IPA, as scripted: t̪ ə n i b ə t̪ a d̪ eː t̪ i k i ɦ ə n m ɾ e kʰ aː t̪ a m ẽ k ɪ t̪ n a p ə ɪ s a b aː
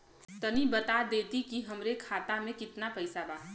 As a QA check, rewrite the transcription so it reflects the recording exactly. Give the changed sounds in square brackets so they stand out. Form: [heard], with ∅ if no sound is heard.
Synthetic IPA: t̪ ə n i b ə t̪ a d̪ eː t̪ i k i ɦ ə [∅] m ɾ e kʰ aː t̪ a m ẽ k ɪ t̪ n a p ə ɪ s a b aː